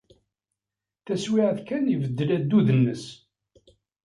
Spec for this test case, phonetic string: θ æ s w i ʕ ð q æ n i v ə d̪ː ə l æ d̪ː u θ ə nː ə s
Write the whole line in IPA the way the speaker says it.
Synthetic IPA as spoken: θ æ s w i ʕ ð k æ n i v ə d̪ː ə l æ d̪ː u ð ə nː ə s